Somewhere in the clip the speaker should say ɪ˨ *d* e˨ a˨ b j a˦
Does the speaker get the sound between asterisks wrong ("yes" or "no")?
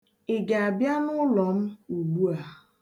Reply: yes